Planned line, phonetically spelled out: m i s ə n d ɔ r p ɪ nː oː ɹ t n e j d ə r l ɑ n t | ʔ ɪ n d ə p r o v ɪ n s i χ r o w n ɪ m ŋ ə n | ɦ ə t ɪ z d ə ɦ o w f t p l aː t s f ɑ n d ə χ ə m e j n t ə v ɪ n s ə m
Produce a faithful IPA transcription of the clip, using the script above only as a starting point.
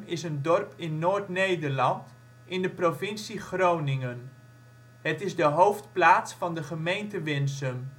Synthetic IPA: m ɪ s ə n d ɔ r p ɪ nː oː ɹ t n e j d ə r l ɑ n t | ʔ ɪ n d ə p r o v ɪ n s i χ r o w n ɪ ŋ ə n | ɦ ə t ɪ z d ə ɦ o w f t p l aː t s f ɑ n d ə χ ə m e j n t ə ʋ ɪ n s ə m